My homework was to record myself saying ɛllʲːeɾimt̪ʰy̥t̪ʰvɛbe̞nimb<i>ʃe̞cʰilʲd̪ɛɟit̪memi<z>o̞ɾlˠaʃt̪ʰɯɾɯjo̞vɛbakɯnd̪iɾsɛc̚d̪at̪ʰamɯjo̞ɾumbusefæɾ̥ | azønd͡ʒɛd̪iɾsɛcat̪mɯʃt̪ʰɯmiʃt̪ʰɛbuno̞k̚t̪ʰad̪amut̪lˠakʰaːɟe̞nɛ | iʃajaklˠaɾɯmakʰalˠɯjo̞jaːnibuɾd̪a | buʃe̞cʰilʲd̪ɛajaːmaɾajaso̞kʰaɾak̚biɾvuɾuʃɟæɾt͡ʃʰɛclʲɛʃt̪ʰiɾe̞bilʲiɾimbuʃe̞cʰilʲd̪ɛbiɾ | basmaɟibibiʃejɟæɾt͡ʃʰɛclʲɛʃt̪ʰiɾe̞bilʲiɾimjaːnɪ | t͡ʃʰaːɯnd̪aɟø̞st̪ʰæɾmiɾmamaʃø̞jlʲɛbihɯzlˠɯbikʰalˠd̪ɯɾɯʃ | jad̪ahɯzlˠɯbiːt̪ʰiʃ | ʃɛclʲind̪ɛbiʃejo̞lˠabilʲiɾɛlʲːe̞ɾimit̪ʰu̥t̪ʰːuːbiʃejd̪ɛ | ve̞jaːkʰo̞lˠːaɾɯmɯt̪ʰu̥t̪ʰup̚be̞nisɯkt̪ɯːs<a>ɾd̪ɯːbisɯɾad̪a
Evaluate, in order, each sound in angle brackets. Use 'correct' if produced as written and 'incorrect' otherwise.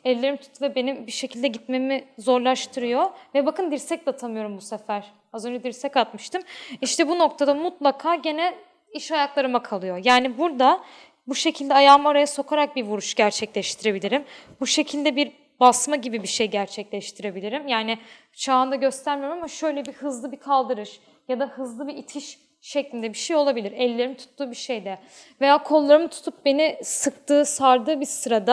correct, correct, correct

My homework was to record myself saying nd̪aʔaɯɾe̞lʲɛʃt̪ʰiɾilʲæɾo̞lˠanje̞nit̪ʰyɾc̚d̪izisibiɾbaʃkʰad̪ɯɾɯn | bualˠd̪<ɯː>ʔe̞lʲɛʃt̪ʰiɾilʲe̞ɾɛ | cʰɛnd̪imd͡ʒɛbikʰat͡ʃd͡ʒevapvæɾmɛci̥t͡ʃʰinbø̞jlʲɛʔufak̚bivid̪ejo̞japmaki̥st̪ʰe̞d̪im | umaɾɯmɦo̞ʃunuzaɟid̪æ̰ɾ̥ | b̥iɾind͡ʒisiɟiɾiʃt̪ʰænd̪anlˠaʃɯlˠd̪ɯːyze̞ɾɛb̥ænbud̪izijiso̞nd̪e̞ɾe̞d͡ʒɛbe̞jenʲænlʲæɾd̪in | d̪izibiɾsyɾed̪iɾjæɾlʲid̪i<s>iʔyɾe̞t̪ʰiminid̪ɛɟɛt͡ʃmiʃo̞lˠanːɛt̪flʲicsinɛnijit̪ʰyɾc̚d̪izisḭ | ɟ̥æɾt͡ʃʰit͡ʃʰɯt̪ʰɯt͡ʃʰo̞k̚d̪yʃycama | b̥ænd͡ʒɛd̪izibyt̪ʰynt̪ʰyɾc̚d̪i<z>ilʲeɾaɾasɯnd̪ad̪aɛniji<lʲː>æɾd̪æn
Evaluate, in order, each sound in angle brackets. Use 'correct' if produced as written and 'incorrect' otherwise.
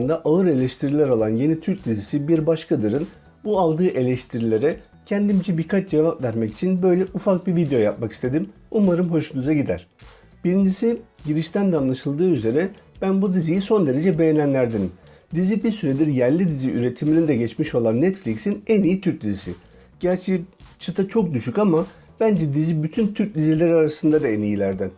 correct, incorrect: z, correct, incorrect: lʲ

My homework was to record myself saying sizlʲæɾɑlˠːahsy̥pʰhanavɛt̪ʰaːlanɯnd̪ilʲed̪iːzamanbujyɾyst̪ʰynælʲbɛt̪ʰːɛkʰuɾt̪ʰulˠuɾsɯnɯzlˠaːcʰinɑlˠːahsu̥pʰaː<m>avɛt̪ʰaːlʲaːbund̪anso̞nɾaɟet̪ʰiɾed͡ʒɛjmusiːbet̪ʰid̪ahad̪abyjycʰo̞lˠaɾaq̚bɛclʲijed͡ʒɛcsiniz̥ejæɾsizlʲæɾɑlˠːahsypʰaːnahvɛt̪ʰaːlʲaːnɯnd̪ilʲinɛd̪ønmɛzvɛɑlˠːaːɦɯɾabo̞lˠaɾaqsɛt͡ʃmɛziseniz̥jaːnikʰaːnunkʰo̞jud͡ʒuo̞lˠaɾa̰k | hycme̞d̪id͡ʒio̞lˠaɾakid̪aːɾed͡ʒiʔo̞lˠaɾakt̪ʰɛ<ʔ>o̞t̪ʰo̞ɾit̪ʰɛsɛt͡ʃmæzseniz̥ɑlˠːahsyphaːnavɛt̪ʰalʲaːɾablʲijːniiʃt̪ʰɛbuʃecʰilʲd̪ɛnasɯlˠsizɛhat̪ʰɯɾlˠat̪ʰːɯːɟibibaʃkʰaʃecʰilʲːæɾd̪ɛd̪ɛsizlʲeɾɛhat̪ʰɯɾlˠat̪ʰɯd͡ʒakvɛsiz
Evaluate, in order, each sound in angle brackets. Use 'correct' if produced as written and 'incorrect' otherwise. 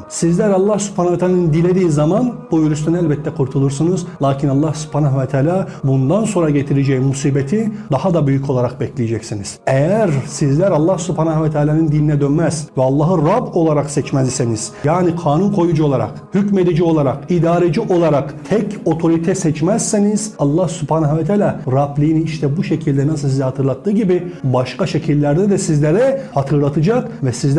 incorrect: n, incorrect: c

